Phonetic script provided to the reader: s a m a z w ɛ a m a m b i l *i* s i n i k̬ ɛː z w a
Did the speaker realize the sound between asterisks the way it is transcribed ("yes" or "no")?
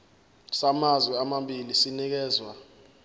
yes